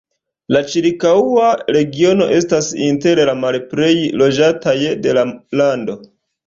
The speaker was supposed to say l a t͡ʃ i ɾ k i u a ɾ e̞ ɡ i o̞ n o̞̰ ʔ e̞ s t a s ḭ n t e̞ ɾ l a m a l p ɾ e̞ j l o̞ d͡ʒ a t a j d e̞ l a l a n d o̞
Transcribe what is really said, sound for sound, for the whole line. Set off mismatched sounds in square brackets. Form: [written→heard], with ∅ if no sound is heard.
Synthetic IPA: l a t͡ʃ i ɾ k [i→a] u a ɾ e̞ ɡ i o̞ n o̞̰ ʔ e̞ s t a s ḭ n t e̞ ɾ l a m a l p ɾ e̞ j l o̞ d͡ʒ a t a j d e̞ l a l a n d o̞